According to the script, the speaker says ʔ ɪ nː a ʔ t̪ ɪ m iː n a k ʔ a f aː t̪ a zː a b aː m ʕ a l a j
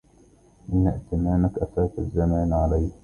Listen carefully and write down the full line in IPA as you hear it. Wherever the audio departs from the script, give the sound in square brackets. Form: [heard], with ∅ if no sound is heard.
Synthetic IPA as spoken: ʔ ɪ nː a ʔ t̪ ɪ m [aː] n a k ʔ a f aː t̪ a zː a [m] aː [n] ʕ a l a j